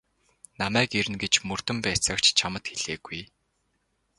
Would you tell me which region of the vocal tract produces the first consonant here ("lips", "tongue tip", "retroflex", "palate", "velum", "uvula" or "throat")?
tongue tip